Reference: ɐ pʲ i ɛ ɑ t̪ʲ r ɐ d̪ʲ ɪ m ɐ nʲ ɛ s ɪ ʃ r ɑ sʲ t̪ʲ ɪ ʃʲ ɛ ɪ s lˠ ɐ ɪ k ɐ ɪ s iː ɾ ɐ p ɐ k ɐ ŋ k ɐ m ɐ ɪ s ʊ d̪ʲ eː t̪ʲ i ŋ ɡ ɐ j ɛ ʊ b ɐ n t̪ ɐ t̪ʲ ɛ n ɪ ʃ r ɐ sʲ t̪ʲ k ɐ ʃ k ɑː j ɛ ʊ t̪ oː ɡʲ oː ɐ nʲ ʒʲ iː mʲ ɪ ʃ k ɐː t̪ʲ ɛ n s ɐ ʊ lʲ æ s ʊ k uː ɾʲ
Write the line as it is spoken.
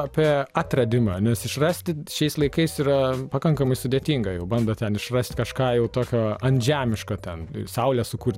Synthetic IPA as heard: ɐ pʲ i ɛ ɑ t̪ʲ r ɐ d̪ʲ ɪ m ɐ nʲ ɛ s ɪ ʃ r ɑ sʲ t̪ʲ ɪ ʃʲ ɛ ɪ s lˠ ɐ ɪ k ɐ ɪ s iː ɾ ɐ p ɐ k ɐ ŋ k ɐ m ɐ ɪ s ʊ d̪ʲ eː t̪ʲ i ŋ ɡ ɐ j ɛ ʊ b ɐ n d̪ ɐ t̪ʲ ɛ n ɪ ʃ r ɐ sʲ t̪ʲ k ɐ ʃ k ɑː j ɛ ʊ t̪ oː kʲ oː ɐ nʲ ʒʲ æː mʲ ɪ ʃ k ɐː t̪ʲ ɛ n s ɐ ʊ lʲ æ s ʊ k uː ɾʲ